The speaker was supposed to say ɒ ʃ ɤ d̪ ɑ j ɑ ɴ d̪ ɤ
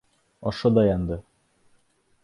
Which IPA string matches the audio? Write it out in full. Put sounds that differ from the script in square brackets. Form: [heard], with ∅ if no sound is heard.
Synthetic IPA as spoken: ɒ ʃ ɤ d̪ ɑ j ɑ [n] d̪ ɤ